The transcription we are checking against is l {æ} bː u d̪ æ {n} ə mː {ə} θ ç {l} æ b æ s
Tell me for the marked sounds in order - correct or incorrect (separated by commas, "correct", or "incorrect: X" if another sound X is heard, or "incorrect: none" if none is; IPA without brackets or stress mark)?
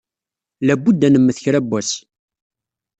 correct, correct, correct, incorrect: ɾ